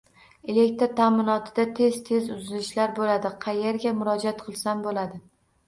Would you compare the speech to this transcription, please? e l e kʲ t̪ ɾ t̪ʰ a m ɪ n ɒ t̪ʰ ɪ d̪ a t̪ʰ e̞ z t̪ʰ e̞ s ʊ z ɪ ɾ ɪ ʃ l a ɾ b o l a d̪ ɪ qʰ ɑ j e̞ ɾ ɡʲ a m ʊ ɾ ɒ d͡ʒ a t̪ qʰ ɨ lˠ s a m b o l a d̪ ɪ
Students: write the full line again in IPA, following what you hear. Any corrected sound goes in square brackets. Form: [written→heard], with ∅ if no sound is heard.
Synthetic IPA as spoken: e l e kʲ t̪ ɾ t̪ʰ a m ɪ n ɒ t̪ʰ ɪ d̪ a t̪ʰ e̞ z t̪ʰ e̞ [s→z] ʊ z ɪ [ɾ→l] ɪ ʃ l a ɾ b o l a d̪ ɪ qʰ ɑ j e̞ ɾ ɡʲ a m ʊ ɾ ɒ d͡ʒ a t̪ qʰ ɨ lˠ s a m b o l a d̪ ɪ